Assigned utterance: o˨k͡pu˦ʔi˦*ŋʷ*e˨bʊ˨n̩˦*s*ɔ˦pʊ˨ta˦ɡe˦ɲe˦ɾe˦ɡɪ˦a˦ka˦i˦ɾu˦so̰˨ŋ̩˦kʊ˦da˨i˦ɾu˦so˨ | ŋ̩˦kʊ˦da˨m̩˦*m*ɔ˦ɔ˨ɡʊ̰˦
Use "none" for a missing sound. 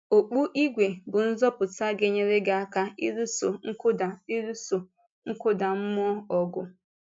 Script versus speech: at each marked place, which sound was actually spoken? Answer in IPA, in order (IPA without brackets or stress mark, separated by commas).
ɡʷ, z, m